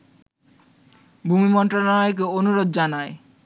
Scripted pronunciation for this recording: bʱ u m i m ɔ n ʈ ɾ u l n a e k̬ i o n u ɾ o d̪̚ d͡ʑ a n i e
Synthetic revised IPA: bʱ u m i m ɔ n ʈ ɾ o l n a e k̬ e o n u ɾ o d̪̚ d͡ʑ a n a e